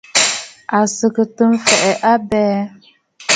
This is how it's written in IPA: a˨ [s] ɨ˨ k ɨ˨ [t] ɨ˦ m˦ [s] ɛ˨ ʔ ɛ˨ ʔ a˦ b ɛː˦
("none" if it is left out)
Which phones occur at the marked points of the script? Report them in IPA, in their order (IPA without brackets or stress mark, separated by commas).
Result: s, t, f